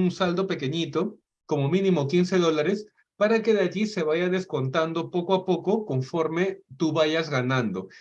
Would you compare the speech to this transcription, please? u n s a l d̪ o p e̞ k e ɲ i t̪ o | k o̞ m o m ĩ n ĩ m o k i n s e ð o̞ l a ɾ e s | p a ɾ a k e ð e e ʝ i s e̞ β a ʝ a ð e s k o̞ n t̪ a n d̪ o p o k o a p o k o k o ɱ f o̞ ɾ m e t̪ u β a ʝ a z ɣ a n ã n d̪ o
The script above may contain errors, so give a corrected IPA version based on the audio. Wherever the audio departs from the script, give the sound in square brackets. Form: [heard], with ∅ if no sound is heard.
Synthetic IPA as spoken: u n s a l d̪ o p e̞ k e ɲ i t̪ o | k o̞ m o m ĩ n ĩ m o k i n s e ð o̞ l a ɾ e s | p a ɾ a k e ð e [a] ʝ i s e̞ β a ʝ a ð e s k o̞ n t̪ a n d̪ o p o k o a p o k o k o ɱ f o̞ ɾ m e t̪ u β a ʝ a z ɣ a n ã n d̪ o